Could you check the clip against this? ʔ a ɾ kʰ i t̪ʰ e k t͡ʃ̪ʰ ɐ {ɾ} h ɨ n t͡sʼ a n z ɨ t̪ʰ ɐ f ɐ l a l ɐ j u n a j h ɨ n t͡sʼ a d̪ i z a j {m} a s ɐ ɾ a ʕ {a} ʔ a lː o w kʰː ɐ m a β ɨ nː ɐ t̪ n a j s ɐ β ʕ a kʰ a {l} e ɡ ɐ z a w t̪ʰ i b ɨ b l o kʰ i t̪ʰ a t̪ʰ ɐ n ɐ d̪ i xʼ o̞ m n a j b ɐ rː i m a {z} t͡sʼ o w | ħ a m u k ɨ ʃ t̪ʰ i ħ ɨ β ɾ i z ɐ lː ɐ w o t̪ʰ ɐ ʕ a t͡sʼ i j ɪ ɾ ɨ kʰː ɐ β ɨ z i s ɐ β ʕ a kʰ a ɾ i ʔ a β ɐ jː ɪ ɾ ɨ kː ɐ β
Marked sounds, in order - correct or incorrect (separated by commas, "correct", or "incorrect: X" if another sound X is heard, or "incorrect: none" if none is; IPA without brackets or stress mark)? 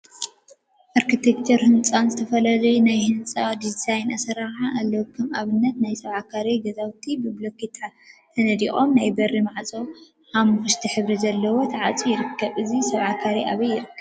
correct, incorrect: n, correct, incorrect: ɾ, incorrect: ʕ